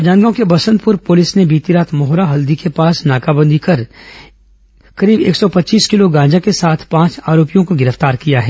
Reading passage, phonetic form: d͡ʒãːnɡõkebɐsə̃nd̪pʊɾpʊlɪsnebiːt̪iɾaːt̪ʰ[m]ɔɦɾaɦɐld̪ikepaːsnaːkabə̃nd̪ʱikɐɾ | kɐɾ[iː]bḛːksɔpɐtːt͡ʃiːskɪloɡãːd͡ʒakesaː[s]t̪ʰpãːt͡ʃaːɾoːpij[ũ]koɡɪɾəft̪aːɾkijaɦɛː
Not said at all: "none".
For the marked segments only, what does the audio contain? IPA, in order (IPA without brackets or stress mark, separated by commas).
m, iː, none, õ